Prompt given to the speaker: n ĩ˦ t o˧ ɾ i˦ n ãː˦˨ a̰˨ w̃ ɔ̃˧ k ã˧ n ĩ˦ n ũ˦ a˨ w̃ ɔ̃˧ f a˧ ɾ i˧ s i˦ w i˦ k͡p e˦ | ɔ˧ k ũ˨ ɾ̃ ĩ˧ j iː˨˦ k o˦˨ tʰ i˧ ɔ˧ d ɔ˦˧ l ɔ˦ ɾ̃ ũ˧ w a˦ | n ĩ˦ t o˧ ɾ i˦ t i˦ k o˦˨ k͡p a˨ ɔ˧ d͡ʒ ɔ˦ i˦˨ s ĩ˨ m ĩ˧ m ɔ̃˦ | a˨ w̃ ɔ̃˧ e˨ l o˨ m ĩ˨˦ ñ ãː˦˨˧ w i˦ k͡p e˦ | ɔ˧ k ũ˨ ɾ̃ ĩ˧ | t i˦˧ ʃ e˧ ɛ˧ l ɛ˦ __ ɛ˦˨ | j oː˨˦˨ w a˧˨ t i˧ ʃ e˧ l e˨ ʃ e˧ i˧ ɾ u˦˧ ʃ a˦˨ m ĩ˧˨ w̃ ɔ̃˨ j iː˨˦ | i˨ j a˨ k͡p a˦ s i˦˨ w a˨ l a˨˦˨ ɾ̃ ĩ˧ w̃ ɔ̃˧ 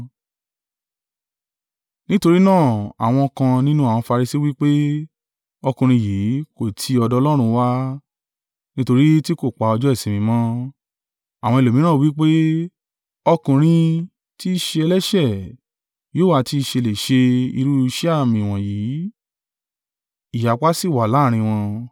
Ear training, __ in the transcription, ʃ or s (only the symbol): ʃ